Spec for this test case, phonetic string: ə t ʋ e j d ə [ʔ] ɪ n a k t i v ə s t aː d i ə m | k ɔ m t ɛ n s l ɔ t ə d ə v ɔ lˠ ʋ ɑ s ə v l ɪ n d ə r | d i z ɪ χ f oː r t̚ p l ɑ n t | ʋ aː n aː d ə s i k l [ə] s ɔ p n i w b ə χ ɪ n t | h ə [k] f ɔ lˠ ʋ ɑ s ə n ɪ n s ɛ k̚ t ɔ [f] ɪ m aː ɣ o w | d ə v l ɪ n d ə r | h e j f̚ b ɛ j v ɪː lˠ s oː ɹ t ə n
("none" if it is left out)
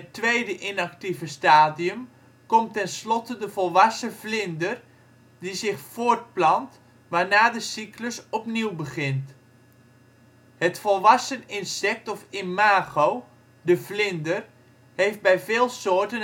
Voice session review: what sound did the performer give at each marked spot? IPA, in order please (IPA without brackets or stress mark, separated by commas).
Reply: ʔ, ə, t, f